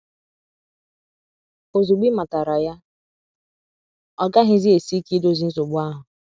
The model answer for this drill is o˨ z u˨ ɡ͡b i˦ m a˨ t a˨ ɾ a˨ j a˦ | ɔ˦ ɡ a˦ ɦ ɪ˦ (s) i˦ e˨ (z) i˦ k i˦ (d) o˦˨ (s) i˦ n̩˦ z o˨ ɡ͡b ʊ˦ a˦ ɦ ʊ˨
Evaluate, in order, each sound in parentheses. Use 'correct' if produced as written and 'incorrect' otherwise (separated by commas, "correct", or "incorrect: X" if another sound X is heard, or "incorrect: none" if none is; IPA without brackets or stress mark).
incorrect: z, incorrect: s, correct, incorrect: z